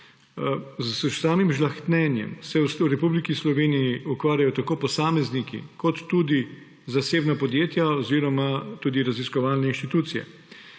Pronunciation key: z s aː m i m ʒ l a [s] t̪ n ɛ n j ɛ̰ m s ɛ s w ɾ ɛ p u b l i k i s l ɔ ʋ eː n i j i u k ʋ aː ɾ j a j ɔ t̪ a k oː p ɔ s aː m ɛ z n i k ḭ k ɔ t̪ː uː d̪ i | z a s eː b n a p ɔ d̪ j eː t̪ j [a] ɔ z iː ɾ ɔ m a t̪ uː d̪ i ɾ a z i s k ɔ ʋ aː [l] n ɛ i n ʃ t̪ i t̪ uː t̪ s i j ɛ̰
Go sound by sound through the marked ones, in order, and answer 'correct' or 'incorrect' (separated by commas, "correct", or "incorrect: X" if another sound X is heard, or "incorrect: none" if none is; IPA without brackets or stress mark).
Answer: incorrect: x, correct, correct